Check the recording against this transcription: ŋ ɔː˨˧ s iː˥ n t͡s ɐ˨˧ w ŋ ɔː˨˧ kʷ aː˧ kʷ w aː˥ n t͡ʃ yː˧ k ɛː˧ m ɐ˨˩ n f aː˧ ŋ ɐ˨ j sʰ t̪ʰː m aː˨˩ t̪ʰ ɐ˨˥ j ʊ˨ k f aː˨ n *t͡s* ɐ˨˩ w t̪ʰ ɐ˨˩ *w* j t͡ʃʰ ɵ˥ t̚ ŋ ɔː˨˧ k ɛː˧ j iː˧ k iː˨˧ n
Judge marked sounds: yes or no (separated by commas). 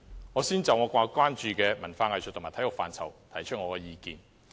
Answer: no, no